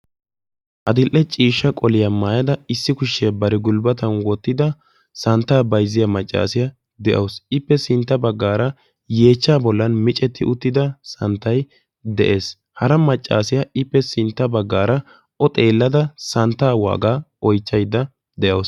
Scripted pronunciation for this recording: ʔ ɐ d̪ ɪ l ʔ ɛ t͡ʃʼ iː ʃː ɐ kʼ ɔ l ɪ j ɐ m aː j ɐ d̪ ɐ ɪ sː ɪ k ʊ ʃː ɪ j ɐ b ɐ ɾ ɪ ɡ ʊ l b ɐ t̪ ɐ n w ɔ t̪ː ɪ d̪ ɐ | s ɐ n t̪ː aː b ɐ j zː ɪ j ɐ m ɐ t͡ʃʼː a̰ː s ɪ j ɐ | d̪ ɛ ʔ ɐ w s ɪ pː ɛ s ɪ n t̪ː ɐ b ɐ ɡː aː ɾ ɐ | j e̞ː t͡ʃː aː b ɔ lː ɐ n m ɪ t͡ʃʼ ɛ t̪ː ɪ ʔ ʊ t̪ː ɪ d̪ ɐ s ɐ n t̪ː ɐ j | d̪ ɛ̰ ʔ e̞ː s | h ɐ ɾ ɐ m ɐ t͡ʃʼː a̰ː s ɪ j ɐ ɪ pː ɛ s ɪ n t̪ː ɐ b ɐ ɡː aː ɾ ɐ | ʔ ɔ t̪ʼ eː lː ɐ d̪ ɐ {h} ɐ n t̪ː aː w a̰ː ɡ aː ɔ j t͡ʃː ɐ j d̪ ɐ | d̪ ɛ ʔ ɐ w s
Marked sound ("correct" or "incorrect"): incorrect